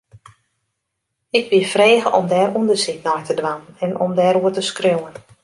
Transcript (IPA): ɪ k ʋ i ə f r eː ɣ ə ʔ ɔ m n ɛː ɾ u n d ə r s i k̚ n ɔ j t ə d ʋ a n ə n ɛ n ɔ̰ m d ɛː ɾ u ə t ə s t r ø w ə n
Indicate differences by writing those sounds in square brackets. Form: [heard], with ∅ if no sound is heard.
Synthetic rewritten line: ɪ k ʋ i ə f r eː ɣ ə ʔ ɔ m [d] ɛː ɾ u n d ə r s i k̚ n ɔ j t ə d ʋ a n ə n ɛ n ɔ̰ m d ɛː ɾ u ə t ə s [k] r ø w ə n